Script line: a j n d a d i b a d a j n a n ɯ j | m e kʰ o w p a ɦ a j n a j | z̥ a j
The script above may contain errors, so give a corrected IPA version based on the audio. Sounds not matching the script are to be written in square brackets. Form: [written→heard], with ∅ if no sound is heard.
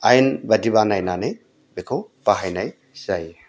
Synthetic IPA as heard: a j n [d→b] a d i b a [d→n] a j n a n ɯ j | [m→b] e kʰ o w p a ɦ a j n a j | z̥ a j